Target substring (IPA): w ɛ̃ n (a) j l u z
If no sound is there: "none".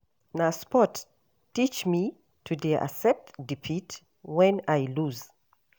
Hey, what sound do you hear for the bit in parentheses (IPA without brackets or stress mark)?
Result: a